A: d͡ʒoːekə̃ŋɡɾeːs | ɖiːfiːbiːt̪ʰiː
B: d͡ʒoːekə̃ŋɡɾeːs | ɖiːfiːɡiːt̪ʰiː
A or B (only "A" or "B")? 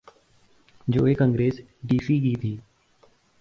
B